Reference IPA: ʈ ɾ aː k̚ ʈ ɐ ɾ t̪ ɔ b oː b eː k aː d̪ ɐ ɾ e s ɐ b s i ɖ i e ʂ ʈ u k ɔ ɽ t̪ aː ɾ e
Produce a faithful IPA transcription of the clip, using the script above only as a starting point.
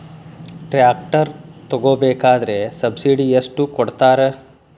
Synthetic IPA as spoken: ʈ ɾ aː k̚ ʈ ɐ ɾ t̪ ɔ ɡ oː b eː k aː d̪ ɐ ɾ e s ɐ b s i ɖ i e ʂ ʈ u k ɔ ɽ t̪ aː ɾ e

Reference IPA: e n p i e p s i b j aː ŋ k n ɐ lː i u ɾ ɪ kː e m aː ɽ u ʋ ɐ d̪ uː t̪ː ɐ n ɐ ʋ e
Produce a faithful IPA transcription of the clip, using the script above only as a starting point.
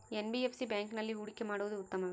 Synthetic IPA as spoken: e n b i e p s i b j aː ŋ k n ɐ lː i u ɽ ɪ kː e m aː ɽ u ʋ ɐ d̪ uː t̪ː ɐ m ɐ ʋ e

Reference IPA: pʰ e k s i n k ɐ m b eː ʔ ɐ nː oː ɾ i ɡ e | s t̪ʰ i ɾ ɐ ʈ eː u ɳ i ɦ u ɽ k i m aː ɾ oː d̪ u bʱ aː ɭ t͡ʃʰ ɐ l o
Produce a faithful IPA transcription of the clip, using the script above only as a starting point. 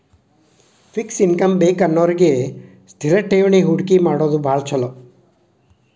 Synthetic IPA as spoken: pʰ i k s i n k ɐ m b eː k ɐ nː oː ɾ i ɡ e | s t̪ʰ i ɾ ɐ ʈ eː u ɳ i ɦ u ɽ k i m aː ɽ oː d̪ u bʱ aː ɭ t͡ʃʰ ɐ l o

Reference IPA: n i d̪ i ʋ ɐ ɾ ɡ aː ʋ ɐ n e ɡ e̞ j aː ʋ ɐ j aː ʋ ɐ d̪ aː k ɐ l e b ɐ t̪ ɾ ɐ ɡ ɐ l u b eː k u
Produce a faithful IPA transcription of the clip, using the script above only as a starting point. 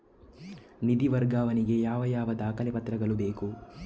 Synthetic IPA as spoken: n i d̪ i ʋ ɐ ɾ ɡ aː ʋ ɐ n i ɡ e̞ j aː ʋ ɐ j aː ʋ ɐ d̪ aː k ɐ l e p ɐ t̪ ɾ ɐ ɡ ɐ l u b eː k u

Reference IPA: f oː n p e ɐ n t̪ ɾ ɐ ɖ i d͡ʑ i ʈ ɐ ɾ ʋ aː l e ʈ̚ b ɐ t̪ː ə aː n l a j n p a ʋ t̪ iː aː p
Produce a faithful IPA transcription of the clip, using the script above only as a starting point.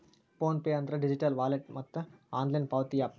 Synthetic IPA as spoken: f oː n p e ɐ n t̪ ɾ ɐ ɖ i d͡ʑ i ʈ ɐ l ʋ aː l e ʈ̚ m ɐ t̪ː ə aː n l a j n p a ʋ t̪ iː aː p

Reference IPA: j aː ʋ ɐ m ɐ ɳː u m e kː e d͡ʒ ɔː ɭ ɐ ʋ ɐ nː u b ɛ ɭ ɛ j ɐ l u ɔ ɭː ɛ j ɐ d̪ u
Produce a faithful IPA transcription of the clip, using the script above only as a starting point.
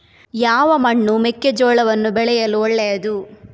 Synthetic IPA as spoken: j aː ʋ ɐ m ɐ ɳː u m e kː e d͡ʒ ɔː ɭ ɐ ʋ ɐ nː u b ɛ ɭ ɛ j ɐ l u ɔ ɭː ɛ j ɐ d̪ u

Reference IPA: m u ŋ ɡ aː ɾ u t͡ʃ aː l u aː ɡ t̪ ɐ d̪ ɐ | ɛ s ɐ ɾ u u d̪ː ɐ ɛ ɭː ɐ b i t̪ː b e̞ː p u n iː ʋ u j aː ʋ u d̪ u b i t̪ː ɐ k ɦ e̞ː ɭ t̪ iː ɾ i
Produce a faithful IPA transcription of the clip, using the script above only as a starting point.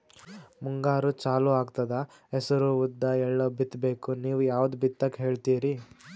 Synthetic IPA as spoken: m u ŋ ɡ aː ɾ u t͡ʃ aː l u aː ɡ t̪ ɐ d̪ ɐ | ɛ s ɐ ɾ u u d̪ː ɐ ɛ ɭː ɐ b i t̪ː b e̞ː k u n iː ʋ u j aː ʋ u d̪ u b i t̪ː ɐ k ɦ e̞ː ɭ t̪ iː ɾ i

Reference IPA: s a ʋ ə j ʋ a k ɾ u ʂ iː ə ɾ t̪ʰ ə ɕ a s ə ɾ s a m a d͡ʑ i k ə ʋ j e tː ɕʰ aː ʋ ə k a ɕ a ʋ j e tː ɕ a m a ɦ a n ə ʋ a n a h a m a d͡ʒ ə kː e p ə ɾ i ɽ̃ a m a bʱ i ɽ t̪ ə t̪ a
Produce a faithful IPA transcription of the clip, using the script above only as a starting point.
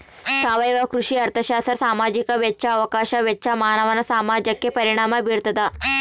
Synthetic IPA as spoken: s a ʋ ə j ʋ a k ɾ u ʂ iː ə ɾ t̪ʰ ə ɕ a s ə ɾ s a m a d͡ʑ i k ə ʋ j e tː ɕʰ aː ʋ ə k a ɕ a ʋ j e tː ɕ a m a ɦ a n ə ʋ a n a s a m a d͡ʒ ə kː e p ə ɾ i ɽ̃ a m a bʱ i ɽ t̪ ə t̪ a

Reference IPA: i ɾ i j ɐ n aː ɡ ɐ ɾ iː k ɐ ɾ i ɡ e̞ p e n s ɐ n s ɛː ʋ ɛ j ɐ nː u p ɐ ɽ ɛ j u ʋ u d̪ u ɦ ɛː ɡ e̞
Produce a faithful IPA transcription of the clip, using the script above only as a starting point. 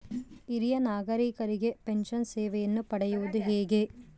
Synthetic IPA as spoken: i ɾ i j ɐ n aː ɡ ɐ ɾ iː k ɐ ɾ i ɡ e̞ p e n ʃ ɐ n s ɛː ʋ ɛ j ɐ nː u p ɐ ɽ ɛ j u ʋ u d̪ u ɦ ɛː ɡ e̞

